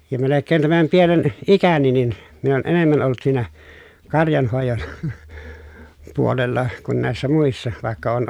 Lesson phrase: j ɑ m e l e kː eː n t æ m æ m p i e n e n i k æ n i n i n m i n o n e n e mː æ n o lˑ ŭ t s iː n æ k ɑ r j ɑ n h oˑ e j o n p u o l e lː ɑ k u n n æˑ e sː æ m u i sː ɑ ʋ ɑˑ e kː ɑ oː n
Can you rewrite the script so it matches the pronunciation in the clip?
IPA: j ɑ m e l e kː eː n t æ m æ m p i e n e n i k æ n i n i n m i n o n e n e mː æ n o lˑ ŭ t s iː n æ k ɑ r j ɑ n h oˑ e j o n p u o l e lː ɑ k u n n æˑ e sː æ m u i sː ɑ ʋ ɑˑ e kː ɑ oː n